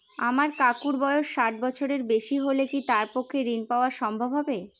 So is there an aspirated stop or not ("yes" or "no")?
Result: yes